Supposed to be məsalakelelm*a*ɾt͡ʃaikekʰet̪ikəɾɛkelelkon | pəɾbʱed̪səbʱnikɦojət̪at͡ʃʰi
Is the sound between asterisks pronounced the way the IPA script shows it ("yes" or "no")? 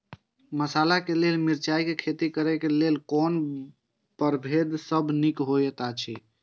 no